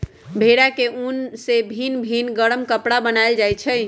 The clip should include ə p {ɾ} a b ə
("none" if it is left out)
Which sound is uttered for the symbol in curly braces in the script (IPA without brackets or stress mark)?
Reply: ɽ